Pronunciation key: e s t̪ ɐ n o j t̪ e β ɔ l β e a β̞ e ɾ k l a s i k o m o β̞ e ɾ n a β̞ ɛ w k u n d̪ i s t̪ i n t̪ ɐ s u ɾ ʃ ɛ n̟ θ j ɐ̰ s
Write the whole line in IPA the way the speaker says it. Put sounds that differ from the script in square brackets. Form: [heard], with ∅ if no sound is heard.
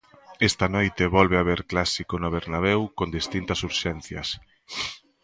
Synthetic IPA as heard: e s t̪ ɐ n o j t̪ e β ɔ l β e a β̞ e ɾ k l a s i k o [n] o β̞ e ɾ n a β̞ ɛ w k [o] n d̪ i s t̪ i n t̪ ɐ s u ɾ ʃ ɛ n̟ θ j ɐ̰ s